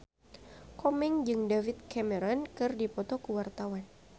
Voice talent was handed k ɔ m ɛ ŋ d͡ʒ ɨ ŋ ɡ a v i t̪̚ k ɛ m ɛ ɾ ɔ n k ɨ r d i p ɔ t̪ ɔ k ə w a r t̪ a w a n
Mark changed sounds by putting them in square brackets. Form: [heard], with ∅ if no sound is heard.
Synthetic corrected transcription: k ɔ m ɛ ŋ d͡ʒ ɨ ŋ [d] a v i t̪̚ k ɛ m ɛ ɾ ɔ n k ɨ r d i p ɔ t̪ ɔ k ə w a r t̪ a w a n